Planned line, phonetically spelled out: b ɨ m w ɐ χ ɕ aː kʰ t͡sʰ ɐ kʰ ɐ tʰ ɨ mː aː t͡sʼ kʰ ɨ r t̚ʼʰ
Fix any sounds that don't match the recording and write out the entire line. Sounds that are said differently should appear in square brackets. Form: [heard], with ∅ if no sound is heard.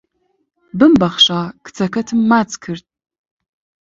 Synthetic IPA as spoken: b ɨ m [b] ɐ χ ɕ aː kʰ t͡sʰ ɐ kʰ ɐ tʰ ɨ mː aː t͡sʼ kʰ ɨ r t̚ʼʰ